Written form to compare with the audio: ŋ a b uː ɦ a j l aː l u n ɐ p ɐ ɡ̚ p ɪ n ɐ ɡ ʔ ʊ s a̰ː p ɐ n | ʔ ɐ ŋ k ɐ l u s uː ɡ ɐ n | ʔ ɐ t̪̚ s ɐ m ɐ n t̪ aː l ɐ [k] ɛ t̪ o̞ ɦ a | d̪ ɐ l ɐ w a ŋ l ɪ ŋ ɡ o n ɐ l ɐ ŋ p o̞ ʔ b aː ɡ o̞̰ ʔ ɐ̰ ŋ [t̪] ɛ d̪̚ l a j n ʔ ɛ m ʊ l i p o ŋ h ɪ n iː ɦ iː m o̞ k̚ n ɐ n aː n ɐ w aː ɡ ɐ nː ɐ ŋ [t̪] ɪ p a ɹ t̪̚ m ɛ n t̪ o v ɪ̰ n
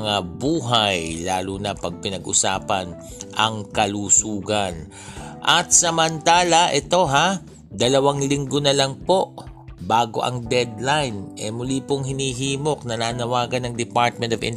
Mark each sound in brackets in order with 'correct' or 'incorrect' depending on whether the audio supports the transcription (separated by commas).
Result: incorrect, incorrect, incorrect